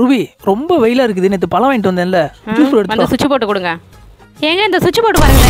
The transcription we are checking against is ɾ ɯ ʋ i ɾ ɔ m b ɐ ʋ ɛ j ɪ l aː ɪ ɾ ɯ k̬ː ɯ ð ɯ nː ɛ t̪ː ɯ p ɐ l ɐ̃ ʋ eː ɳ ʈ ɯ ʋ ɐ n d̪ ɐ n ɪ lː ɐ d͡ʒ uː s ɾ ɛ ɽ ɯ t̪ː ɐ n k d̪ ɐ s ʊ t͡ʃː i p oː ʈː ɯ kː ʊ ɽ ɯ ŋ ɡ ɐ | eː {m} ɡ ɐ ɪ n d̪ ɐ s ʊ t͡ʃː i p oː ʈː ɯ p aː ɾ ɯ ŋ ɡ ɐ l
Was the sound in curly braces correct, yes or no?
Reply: no